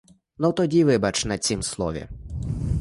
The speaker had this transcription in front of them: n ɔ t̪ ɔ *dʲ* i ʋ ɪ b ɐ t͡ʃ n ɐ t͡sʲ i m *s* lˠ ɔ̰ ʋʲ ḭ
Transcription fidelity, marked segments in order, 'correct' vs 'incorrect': correct, correct

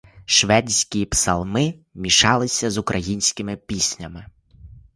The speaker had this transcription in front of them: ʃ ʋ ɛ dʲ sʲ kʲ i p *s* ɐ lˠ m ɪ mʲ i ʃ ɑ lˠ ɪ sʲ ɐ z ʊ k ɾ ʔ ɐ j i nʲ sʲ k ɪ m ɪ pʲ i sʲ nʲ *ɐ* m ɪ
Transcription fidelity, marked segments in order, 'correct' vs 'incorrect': correct, correct

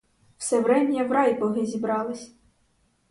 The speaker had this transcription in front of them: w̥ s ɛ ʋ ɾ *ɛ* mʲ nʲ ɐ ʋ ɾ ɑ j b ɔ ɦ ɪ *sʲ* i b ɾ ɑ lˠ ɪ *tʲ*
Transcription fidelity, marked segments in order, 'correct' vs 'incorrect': correct, incorrect: zʲ, incorrect: sʲ

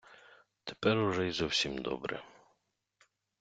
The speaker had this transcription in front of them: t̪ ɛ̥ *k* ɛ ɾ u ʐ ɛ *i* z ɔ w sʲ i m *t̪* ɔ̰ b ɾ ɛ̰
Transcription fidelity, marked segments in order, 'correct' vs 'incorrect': incorrect: p, incorrect: j, incorrect: d̪

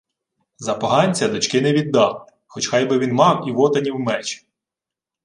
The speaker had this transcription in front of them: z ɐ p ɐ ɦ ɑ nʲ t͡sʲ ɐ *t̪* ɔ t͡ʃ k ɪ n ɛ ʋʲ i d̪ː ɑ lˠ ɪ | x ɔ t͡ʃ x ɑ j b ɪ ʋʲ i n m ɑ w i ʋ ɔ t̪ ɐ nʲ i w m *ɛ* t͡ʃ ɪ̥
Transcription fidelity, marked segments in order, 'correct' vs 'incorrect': incorrect: d̪, correct

